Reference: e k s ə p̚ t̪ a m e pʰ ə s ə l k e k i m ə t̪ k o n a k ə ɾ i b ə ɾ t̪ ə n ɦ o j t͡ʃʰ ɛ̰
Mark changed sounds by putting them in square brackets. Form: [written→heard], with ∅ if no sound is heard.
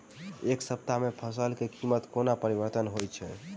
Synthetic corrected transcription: e k s ə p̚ t̪ a m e pʰ ə s ə l k e k i m ə t̪ k o n a [k→p] ə ɾ i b ə ɾ t̪ ə n ɦ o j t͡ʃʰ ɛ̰

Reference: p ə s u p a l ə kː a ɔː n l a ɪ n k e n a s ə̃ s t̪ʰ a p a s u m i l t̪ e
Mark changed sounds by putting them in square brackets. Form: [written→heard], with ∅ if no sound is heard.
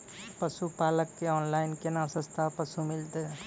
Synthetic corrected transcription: p ə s u p a l ə kː [a→e] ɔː n l a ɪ n k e n a s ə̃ s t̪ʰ a p [a→ə] s u m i l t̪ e

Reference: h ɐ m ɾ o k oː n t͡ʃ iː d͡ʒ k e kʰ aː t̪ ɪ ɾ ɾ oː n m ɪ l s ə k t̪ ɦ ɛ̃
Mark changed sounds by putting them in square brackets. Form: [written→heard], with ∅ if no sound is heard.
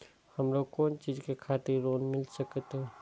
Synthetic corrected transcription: h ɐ m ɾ o k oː n t͡ʃ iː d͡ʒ k e kʰ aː t̪ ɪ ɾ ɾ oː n m ɪ l s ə k t̪ ɦ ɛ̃

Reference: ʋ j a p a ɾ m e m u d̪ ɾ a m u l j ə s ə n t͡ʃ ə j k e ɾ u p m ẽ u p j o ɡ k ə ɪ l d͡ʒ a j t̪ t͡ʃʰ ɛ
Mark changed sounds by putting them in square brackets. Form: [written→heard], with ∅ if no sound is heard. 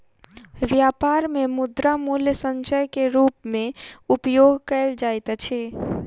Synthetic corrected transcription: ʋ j a p a ɾ m e m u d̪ ɾ a m u l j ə s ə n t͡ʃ ə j k e ɾ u p m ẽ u p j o ɡ k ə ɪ l d͡ʒ a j t̪ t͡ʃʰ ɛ

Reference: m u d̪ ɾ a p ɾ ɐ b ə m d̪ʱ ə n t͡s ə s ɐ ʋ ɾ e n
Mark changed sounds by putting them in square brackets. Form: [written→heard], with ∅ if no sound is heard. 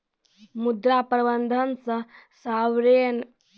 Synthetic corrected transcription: m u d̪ ɾ a p ɾ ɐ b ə [m→n] d̪ʱ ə n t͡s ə s [ɐ→a] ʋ ɾ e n

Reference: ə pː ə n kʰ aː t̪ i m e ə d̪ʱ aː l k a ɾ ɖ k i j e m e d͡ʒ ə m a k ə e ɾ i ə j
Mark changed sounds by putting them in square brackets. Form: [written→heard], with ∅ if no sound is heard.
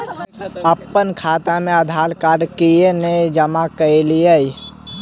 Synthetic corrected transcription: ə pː ə n kʰ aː t̪ [i→a] m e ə d̪ʱ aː l k a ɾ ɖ k i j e [m→n] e d͡ʒ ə m a k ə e [ɾ→l] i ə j

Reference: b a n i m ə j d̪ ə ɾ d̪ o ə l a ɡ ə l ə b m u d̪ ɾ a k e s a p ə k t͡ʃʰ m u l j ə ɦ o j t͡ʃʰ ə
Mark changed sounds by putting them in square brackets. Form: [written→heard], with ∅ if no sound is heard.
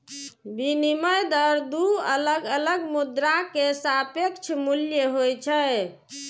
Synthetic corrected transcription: b [a→i] n i m ə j d̪ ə ɾ d̪ [o→u] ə l [a→ə] ɡ ə l ə [b→ɡ] m u d̪ ɾ a k e s a p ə k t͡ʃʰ m u l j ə ɦ o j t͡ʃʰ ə

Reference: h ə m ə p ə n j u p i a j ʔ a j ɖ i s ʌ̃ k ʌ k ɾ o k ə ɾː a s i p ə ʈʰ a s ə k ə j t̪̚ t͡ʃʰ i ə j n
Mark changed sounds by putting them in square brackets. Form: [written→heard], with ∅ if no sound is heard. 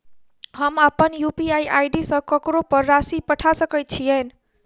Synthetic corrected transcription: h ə m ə p ə n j u p i a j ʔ a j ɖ i s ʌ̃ k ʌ k ɾ o [k→p] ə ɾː a s i p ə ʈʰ a s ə k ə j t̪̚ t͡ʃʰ i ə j n

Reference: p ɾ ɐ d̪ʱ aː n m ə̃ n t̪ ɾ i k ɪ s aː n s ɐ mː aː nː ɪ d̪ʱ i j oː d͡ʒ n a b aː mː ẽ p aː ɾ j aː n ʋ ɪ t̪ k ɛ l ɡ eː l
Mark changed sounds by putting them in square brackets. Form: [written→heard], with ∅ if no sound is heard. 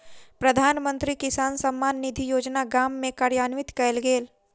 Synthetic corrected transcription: p ɾ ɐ d̪ʱ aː n m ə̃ n t̪ ɾ i k ɪ s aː n s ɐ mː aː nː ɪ d̪ʱ i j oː d͡ʒ n a [b→ɡ] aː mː ẽ [p→k] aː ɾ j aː n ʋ ɪ t̪ k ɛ l ɡ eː l

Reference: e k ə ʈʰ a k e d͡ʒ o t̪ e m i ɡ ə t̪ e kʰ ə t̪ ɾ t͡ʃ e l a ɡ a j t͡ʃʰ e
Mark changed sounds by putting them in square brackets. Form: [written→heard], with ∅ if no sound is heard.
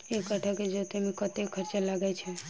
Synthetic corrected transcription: e k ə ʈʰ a k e d͡ʒ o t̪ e m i [ɡ→k] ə t̪ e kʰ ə [t̪→∅] ɾ t͡ʃ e l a ɡ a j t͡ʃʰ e

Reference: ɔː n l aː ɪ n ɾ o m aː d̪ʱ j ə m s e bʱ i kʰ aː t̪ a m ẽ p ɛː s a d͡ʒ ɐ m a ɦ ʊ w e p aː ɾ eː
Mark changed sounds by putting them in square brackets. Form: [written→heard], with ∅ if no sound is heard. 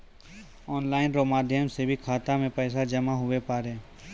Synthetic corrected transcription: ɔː n l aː ɪ n ɾ o m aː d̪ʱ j ə m s e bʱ i kʰ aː t̪ a m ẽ p ɛː s a d͡ʒ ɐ m a ɦ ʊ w e p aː ɾ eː

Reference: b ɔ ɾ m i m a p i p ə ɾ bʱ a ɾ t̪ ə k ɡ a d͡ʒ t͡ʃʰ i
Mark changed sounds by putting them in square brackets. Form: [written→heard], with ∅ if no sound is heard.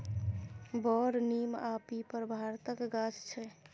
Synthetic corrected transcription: b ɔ ɾ [m→n] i m a p i p ə ɾ bʱ a ɾ t̪ ə k ɡ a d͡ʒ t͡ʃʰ [i→ɛ]

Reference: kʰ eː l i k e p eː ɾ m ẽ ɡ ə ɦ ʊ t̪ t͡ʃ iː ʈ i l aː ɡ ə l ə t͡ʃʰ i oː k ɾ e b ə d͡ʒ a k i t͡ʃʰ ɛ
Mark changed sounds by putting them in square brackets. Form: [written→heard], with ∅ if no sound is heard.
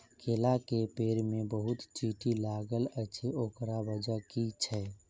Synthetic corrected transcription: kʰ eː l [i→a] k e p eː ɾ m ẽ [ɡ→b] ə ɦ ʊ t̪ t͡ʃ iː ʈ i l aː ɡ ə l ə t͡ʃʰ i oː k ɾ [e→a] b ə d͡ʒ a k i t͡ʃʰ ɛ

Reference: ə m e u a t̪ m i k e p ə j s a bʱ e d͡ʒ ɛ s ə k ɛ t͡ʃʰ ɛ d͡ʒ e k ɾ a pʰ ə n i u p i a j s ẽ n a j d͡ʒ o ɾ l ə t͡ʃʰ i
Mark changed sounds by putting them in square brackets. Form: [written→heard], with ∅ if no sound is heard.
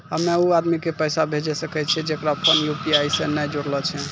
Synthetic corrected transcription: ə m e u a [t̪→d̪] m i k e p ə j s a bʱ e d͡ʒ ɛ s ə k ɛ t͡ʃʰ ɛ d͡ʒ e k ɾ a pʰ ə n [i→j] u p i a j s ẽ n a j d͡ʒ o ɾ l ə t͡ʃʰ [i→ɛ]

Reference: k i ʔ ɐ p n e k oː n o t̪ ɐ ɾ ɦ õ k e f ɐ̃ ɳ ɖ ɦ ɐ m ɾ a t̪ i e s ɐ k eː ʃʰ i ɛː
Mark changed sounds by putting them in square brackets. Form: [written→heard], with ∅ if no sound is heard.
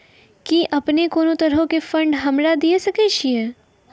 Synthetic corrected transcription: k i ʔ ɐ p n e k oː n o t̪ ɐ ɾ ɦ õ k e f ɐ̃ ɳ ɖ ɦ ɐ m ɾ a [t̪→d̪] i e s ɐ k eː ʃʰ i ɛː

